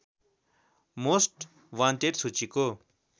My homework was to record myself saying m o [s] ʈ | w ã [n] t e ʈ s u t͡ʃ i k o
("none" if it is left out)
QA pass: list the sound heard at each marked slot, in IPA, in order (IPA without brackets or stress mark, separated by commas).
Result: s, n